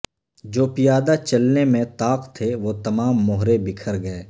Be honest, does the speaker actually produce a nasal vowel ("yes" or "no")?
yes